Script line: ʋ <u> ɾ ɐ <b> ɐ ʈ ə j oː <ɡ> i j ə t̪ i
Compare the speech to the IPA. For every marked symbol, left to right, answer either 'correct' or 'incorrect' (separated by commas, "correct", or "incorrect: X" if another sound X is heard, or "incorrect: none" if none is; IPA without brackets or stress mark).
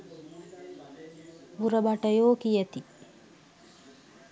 correct, correct, incorrect: k